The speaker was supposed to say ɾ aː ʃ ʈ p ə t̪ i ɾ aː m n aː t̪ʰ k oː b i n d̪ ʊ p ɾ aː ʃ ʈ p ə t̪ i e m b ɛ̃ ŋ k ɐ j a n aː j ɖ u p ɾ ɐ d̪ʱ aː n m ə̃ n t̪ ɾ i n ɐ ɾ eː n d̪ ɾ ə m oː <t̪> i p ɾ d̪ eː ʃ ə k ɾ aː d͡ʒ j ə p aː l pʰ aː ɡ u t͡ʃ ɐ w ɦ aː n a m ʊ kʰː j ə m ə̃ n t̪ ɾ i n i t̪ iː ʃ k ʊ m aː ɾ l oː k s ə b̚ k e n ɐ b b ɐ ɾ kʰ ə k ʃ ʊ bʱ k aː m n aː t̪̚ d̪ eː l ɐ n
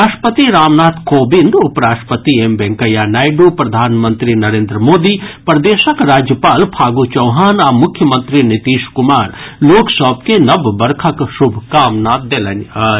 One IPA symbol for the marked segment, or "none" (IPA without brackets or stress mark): d̪